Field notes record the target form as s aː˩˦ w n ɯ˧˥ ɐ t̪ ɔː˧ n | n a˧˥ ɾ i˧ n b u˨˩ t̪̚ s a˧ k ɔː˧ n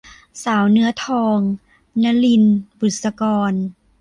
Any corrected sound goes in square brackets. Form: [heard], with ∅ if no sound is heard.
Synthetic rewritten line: s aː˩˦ w n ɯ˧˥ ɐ [t̪ʰ] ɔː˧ [ŋ] | n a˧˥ [l] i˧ n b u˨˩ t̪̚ s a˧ k ɔː˧ n

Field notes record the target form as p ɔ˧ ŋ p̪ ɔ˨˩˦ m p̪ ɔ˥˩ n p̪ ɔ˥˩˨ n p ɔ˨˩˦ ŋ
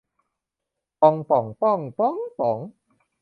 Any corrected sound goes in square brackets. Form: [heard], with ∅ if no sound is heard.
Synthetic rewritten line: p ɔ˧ ŋ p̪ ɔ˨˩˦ [ŋ] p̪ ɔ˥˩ [ŋ] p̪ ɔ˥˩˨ [ŋ] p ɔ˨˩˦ ŋ

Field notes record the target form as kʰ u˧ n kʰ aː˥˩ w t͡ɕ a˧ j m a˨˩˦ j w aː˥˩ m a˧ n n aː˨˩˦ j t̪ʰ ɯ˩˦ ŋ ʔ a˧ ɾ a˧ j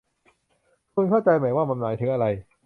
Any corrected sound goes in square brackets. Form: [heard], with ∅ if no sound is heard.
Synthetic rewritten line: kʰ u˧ n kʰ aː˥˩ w t͡ɕ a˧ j m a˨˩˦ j w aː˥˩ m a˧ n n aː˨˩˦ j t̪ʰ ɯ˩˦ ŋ ʔ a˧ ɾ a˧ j

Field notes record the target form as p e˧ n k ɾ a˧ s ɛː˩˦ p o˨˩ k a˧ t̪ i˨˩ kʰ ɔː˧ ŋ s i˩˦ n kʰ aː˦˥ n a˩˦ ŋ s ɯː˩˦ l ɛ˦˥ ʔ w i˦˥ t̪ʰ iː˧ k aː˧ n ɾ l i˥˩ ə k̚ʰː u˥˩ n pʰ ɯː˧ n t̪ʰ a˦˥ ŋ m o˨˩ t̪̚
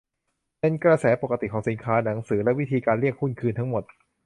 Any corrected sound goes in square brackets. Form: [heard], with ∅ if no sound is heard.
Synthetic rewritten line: p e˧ n k ɾ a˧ s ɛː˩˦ p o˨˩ k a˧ t̪ i˨˩ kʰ [ɔː˩˦] ŋ s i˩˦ n kʰ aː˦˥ n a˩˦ ŋ s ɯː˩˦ l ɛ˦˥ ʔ w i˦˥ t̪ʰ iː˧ k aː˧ n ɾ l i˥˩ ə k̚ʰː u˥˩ n [kʰ] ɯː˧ n t̪ʰ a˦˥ ŋ m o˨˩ t̪̚

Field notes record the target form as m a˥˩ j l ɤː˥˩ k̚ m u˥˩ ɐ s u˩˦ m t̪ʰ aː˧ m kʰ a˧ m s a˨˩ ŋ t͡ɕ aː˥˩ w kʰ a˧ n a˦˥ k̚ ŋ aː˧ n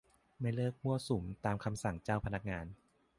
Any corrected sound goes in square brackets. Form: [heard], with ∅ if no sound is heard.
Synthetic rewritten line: m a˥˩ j l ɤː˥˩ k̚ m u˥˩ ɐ s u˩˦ m [t̪] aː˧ m kʰ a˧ m s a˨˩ ŋ t͡ɕ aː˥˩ w [pʰ] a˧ n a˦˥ k̚ ŋ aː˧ n

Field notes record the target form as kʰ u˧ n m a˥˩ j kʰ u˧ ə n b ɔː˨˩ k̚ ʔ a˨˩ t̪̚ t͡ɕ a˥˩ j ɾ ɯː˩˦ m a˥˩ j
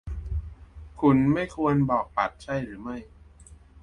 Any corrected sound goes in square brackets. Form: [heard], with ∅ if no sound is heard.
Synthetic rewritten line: kʰ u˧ n m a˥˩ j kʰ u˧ ə n b ɔː˨˩ k̚ [p] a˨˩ t̪̚ [t͡ɕʰ] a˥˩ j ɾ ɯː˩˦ m a˥˩ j

